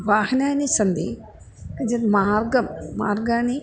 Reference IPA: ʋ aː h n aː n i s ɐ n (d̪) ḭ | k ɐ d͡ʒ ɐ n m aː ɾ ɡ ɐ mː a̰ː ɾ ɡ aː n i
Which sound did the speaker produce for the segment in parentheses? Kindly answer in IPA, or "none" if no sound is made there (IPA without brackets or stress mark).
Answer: d̪